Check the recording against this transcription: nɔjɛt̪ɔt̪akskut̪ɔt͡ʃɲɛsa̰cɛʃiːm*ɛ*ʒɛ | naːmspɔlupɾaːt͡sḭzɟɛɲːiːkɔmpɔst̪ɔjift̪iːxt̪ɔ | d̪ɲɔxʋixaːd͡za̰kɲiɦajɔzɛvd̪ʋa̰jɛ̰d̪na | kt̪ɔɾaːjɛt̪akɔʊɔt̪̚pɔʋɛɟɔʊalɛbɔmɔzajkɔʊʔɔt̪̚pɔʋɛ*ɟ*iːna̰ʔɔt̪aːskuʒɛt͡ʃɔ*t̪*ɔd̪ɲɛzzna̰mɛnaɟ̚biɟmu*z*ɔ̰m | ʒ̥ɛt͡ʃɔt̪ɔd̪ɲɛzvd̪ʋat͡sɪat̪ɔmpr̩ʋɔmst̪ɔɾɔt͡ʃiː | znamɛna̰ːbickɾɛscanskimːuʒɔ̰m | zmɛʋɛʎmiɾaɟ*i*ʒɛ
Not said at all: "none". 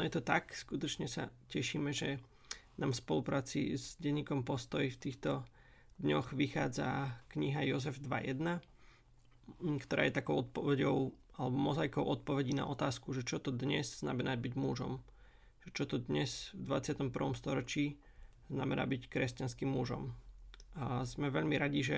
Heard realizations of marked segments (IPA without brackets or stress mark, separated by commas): ɛ, ɟ, t̪, ʒ, i